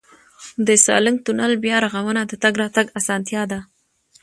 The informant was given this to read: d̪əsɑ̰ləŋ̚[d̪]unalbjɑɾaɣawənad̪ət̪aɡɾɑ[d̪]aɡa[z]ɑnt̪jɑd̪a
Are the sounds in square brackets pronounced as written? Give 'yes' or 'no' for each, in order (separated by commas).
no, no, no